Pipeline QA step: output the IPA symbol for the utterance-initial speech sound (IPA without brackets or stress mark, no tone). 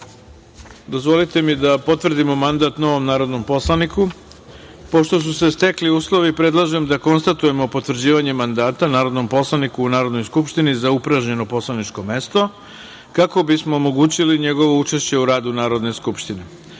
d̪